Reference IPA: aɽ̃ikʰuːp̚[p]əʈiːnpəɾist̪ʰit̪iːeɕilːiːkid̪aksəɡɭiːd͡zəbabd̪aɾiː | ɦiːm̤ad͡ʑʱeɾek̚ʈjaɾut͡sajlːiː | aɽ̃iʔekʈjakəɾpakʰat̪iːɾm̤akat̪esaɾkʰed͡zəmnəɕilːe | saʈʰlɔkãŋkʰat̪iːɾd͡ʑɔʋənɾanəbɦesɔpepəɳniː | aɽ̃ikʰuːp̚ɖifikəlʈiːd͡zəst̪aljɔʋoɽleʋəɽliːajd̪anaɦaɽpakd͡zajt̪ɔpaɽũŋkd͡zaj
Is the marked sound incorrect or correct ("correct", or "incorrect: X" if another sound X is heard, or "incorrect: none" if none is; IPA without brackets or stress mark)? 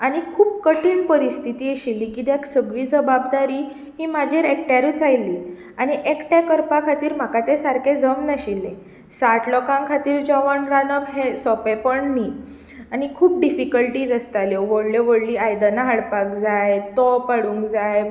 incorrect: k